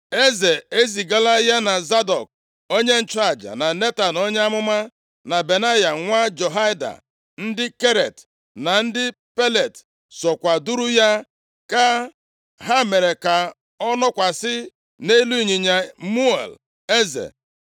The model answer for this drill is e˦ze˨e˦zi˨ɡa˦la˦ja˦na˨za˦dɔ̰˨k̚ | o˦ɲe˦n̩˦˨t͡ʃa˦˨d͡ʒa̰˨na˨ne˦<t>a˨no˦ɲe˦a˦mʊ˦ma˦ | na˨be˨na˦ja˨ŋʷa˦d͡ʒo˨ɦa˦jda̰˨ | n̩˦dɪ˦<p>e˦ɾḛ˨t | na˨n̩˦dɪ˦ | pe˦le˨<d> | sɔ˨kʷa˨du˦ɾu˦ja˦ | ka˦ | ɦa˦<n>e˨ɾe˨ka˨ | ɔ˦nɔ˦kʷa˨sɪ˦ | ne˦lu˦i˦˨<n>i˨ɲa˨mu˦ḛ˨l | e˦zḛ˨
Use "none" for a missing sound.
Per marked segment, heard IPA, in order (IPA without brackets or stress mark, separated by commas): t, k, t, m, ɲ